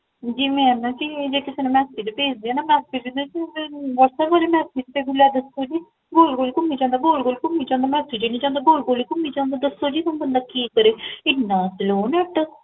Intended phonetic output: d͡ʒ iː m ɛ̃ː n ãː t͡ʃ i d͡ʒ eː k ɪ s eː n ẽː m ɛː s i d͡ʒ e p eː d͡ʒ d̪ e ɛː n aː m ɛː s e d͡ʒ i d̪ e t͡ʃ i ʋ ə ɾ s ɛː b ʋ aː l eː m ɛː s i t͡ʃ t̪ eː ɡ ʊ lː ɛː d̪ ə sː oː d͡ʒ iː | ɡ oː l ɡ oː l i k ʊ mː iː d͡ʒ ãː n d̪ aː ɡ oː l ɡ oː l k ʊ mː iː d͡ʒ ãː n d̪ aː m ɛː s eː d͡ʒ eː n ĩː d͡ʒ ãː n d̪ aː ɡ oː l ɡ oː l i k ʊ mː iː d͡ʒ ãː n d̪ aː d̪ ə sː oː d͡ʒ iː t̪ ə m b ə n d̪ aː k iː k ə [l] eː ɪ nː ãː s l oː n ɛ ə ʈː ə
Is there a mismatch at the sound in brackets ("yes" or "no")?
yes